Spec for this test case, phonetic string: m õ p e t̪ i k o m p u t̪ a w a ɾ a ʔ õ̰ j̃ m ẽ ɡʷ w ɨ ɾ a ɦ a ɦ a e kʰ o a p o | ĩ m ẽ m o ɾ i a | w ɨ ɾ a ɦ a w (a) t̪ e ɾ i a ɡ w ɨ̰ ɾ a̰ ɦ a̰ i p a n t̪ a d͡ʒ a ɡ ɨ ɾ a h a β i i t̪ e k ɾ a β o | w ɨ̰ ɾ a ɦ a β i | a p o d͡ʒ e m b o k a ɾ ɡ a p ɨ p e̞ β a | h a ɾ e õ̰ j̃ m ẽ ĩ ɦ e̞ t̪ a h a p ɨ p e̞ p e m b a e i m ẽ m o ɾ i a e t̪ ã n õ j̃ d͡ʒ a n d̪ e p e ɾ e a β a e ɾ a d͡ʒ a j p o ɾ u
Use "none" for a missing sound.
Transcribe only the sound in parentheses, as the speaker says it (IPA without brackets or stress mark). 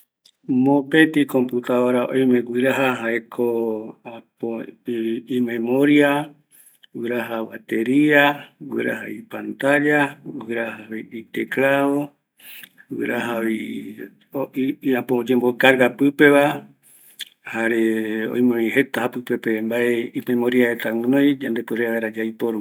a